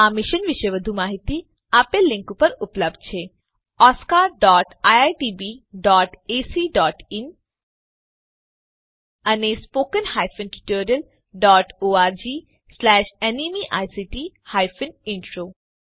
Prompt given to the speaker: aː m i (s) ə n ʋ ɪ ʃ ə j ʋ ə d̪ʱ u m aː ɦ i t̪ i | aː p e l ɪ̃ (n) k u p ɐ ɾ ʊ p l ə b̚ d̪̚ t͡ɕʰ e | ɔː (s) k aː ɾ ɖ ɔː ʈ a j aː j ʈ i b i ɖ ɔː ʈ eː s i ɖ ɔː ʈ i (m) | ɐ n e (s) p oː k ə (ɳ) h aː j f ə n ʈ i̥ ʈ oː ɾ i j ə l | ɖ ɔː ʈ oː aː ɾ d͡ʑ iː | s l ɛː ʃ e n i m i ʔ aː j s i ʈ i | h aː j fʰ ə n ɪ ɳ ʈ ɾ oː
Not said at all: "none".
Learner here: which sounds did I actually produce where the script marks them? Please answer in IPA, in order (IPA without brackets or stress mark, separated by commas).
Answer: ʃ, ŋ, s, n, s, n